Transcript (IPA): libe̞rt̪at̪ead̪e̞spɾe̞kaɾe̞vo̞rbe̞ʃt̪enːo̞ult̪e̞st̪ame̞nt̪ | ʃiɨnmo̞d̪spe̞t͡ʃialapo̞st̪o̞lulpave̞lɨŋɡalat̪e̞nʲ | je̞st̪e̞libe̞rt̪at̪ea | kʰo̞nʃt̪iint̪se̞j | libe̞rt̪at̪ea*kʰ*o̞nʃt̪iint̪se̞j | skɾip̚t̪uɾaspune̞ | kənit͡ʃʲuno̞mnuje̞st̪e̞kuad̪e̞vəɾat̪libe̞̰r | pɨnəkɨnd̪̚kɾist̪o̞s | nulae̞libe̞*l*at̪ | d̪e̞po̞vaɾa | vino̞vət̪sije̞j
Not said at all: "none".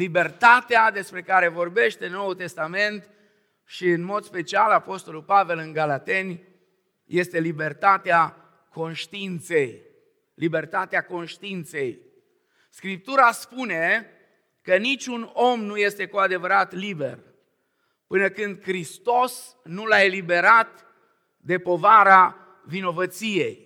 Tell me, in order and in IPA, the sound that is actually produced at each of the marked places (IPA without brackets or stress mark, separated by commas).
k, ɾ